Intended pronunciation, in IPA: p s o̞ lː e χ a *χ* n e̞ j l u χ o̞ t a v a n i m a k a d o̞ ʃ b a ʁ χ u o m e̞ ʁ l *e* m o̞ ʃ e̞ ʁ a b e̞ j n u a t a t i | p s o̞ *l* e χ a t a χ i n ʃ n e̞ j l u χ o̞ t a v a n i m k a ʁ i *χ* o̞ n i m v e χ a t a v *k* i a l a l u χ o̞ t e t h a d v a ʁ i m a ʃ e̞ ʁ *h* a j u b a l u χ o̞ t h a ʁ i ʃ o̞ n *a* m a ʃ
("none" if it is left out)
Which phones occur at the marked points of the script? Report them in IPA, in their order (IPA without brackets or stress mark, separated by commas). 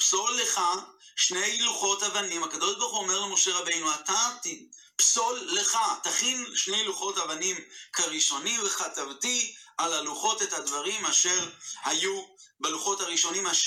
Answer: ʃ, e, lː, ʃ, t, h, i